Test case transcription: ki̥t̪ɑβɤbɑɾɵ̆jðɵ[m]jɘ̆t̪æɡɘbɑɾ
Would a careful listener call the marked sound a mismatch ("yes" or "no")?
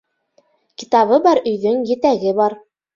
yes